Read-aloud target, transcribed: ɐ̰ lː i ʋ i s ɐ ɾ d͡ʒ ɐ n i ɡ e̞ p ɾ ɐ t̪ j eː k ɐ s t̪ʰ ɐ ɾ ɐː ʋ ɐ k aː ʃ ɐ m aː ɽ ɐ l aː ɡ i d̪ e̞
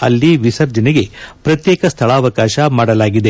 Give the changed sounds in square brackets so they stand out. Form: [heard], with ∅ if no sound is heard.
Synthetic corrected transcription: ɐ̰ lː i ʋ i s ɐ ɾ d͡ʒ ɐ n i ɡ e̞ p ɾ ɐ t̪ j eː k ɐ s t̪ʰ ɐ [ɭ] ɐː ʋ ɐ k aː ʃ ɐ m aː ɽ ɐ l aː ɡ i d̪ e̞